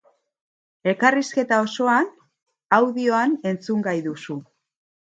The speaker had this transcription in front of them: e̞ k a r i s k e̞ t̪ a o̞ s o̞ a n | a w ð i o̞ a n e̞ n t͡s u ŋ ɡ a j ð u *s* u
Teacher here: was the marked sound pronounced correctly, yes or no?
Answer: yes